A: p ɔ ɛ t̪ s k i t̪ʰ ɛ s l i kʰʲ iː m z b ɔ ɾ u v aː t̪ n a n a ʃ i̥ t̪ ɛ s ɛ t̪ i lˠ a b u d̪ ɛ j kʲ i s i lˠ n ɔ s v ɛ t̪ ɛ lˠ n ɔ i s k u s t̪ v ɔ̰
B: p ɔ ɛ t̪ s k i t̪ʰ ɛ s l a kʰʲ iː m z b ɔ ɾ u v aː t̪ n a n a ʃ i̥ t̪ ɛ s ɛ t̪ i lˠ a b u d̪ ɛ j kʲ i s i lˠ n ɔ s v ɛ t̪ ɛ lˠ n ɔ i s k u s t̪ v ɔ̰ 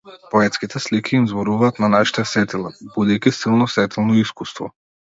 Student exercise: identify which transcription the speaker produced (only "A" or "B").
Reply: A